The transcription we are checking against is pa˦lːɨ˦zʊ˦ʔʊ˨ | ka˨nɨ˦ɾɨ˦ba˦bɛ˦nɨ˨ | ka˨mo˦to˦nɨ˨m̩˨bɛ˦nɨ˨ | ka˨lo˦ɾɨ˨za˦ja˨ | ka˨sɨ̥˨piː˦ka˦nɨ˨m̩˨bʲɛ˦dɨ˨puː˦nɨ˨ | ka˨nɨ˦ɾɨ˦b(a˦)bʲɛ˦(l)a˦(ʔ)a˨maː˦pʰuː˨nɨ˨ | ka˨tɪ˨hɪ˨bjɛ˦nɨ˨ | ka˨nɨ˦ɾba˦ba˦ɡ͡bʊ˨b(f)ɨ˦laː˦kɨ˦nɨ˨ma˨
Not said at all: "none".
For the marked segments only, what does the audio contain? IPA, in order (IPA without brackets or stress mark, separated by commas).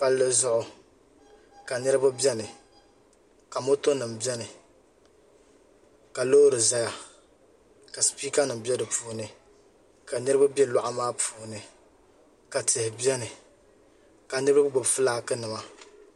a˦, l, ʔ, f